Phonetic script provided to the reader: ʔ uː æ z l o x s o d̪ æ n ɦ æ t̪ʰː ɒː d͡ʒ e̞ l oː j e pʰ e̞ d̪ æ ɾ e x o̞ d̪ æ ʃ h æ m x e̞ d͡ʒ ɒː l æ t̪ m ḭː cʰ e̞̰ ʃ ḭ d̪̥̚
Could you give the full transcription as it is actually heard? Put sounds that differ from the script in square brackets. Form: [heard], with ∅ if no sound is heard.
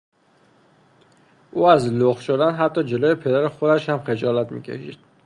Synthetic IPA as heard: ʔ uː æ z l o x [ʃ] o d̪ æ n ɦ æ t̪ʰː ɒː d͡ʒ e̞ l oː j e pʰ e̞ d̪ æ ɾ e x o̞ d̪ æ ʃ h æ m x e̞ d͡ʒ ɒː l æ t̪ m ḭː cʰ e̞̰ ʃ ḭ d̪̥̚